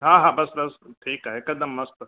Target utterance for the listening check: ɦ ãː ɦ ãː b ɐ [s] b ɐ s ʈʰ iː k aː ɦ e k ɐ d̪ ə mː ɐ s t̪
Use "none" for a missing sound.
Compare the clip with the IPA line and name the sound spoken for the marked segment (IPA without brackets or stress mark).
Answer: s